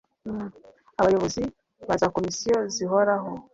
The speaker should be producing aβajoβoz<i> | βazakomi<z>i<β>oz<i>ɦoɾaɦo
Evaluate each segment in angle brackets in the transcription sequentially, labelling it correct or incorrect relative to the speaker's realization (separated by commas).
correct, incorrect, incorrect, correct